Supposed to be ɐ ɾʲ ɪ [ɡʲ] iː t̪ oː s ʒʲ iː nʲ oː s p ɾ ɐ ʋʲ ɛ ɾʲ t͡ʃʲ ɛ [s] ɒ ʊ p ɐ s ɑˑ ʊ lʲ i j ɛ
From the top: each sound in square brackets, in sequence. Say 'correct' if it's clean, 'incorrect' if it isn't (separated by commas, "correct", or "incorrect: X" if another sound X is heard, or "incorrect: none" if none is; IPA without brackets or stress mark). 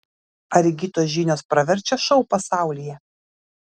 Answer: correct, incorrect: ʃ